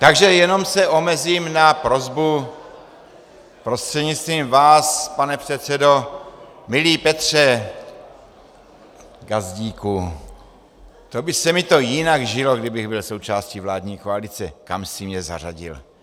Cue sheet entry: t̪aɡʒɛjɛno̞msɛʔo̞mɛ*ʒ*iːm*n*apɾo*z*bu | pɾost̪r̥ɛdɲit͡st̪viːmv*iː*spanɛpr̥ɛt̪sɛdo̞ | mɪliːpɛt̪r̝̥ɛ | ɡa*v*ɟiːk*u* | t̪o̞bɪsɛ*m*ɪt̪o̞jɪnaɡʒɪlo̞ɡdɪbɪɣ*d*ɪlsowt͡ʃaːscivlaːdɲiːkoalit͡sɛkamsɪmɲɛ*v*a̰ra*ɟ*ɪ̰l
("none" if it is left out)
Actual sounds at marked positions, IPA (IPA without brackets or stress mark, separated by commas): z, n, z, aː, z, u, m, b, z, ɟ